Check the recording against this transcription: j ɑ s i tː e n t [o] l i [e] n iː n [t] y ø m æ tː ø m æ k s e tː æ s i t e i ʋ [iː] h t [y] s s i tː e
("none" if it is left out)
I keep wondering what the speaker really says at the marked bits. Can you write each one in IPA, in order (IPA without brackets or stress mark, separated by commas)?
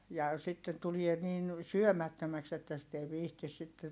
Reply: u, e, s, iː, i